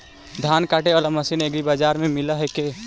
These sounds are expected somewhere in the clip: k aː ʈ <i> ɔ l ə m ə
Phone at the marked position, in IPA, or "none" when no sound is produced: e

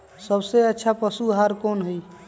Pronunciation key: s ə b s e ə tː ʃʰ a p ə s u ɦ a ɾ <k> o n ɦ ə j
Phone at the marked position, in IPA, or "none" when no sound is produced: k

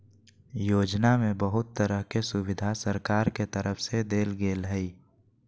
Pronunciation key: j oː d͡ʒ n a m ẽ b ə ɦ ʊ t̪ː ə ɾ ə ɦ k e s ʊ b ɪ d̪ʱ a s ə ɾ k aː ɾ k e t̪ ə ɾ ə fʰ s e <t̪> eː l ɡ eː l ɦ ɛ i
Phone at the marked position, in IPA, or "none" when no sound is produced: d̪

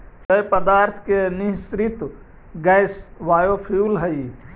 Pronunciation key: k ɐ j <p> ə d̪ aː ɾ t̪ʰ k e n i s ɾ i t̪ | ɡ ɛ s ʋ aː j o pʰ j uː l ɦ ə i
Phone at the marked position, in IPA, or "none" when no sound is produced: p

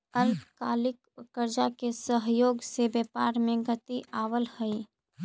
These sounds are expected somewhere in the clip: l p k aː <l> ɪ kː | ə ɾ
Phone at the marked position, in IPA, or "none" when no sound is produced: l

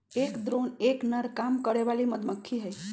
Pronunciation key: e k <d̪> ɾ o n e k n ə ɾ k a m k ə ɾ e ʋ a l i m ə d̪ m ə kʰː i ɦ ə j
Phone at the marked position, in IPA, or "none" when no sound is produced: d̪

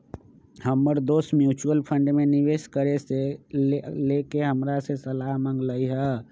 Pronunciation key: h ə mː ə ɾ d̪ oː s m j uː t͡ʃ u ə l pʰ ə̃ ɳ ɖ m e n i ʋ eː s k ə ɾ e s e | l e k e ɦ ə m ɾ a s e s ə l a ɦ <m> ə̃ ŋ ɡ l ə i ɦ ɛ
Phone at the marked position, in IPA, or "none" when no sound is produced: m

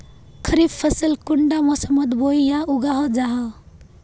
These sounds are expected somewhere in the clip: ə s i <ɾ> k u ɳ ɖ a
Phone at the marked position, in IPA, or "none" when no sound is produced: l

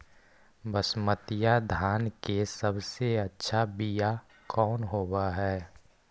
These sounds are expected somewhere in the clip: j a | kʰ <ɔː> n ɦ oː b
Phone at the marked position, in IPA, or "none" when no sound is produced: ɔː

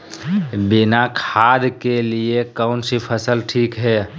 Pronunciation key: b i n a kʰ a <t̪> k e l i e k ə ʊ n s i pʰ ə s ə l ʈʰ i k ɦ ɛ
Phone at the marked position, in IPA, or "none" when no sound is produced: d̪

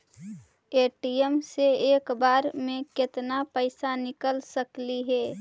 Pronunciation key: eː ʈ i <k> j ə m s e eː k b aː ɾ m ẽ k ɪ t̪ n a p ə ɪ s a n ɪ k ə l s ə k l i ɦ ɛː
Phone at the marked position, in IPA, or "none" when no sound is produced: none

